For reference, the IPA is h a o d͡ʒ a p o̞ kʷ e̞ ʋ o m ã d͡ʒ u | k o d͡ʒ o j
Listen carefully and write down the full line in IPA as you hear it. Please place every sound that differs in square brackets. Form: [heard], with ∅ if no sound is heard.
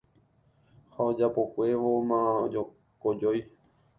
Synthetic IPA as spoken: h a o d͡ʒ a p o̞ kʷ e̞ ʋ o m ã d͡ʒ [o] | k o d͡ʒ o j